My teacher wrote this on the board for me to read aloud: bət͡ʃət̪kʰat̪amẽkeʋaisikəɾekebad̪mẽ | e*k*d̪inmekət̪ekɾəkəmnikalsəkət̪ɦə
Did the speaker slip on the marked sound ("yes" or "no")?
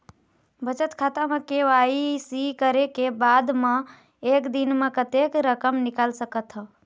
no